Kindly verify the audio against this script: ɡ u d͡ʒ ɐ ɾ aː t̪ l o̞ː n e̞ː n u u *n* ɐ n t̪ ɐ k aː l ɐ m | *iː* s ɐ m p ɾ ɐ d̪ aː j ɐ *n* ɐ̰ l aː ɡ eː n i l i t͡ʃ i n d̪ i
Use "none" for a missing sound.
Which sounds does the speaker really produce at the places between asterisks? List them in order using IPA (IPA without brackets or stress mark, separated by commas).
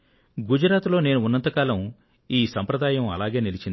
nː, iː, m